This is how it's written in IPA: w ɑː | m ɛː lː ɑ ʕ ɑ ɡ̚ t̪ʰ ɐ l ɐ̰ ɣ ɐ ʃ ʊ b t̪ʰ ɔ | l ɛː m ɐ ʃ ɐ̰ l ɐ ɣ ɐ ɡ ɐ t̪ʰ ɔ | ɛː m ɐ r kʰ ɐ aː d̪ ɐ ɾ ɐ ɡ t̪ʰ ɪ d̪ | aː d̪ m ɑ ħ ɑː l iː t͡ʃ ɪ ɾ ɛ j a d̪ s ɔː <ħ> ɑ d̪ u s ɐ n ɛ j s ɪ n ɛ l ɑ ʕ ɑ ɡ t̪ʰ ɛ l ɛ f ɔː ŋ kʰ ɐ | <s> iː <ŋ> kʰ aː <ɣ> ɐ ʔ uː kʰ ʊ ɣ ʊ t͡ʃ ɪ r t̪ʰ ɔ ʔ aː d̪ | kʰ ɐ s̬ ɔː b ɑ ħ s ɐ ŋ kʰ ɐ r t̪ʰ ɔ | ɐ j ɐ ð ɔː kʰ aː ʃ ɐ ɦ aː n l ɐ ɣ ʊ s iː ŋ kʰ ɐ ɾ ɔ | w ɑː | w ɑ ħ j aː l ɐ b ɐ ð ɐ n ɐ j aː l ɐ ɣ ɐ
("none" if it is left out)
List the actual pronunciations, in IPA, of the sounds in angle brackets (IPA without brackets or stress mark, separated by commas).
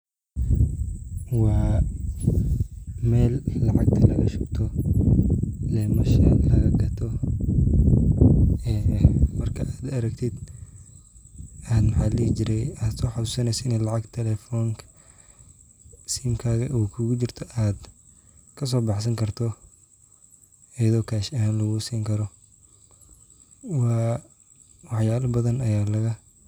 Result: ħ, s, m, ɣ